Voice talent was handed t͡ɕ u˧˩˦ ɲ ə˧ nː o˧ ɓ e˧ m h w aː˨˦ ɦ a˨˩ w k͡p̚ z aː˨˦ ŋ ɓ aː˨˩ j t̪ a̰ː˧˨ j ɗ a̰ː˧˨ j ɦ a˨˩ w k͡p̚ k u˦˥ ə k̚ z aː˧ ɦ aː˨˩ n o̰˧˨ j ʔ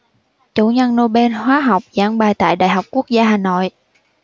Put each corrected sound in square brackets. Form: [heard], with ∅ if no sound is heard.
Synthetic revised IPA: t͡ɕ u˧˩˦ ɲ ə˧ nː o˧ ɓ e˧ [n] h w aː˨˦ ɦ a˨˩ w k͡p̚ z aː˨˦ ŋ ɓ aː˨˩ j t̪ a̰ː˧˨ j ɗ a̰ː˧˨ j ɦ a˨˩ w k͡p̚ k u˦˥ ə k̚ z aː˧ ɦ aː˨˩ n o̰˧˨ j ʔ